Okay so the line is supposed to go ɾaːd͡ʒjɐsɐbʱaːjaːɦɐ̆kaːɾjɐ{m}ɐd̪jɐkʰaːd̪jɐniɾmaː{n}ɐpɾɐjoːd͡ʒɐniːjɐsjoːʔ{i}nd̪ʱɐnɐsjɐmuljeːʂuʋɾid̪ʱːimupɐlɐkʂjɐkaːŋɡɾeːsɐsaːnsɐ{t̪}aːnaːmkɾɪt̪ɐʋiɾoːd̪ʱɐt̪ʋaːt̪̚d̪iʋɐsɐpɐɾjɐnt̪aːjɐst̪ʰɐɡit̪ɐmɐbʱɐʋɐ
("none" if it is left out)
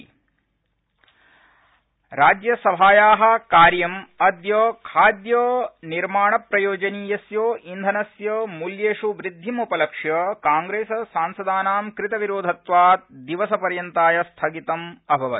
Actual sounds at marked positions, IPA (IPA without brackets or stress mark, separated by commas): m, ɳ, i, d̪